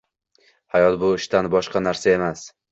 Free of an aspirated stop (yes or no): yes